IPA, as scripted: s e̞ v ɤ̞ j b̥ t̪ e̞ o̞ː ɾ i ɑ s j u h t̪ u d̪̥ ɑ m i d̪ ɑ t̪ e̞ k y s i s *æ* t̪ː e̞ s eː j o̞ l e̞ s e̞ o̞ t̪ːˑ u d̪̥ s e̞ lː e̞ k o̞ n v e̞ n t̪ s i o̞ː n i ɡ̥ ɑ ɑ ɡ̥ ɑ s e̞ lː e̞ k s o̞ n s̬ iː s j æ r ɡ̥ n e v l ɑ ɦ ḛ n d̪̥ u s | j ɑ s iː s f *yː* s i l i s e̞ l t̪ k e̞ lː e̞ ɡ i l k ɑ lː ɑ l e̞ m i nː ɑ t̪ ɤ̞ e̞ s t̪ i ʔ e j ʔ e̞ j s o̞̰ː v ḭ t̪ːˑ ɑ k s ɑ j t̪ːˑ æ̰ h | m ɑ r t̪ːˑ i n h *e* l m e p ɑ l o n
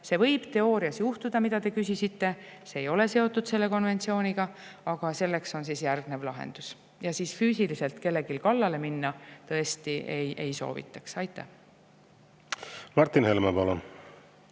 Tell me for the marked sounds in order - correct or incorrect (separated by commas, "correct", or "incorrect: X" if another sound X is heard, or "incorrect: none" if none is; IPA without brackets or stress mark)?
incorrect: i, correct, correct